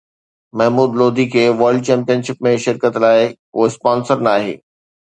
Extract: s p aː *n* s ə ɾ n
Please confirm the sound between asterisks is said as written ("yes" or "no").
yes